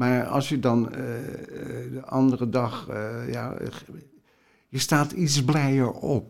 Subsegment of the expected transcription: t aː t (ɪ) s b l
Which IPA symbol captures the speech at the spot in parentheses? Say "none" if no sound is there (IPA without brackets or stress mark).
i